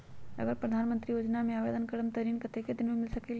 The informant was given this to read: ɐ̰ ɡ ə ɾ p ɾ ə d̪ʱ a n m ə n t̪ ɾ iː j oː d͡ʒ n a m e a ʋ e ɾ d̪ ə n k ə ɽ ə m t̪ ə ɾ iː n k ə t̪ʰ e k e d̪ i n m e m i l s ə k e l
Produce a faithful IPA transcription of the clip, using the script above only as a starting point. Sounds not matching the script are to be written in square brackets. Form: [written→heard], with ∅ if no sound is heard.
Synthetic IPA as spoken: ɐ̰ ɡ ə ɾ p ɾ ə d̪ʱ a n m ə n t̪ ɾ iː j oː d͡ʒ n a m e a ʋ e [ɾ→∅] d̪ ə n k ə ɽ ə m t̪ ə ɾ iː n k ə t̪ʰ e k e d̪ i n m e m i l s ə k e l